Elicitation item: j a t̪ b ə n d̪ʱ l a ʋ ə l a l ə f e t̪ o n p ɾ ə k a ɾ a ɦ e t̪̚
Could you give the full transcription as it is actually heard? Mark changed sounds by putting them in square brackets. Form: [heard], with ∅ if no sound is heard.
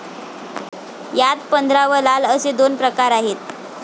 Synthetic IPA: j a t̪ [p] ə n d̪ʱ [ɾ] a ʋ ə l a l ə [s] e [d̪] o n p ɾ ə k a ɾ a ɦ e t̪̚